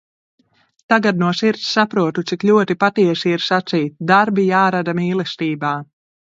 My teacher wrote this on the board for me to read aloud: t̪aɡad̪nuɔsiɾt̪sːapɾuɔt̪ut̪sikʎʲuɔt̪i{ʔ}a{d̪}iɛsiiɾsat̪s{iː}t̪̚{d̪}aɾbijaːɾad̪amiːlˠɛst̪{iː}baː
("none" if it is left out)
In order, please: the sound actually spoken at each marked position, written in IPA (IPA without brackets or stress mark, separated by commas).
p, t̪, iː, d̪, iː